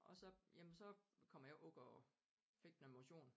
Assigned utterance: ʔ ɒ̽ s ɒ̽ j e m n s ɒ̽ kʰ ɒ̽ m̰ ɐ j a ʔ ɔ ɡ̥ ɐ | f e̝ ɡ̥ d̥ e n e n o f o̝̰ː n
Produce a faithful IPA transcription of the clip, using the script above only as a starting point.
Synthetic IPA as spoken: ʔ ɒ̽ s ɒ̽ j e m n s ɒ̽ kʰ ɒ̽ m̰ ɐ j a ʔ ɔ ɡ̥ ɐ | f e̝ ɡ̥ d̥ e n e m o ɕ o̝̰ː n